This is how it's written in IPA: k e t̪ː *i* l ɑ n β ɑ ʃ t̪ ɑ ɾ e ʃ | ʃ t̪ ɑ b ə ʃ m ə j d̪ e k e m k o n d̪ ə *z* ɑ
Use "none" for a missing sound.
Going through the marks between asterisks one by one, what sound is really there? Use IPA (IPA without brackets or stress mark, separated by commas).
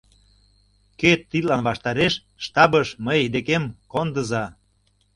i, z